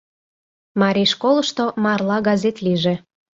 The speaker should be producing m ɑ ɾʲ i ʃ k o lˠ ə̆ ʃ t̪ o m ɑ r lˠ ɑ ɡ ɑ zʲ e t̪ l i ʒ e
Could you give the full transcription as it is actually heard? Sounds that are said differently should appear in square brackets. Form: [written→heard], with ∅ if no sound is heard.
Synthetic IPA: m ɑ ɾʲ i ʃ k o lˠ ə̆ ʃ t̪ o m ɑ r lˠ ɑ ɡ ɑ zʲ e t̪ l i ʒ e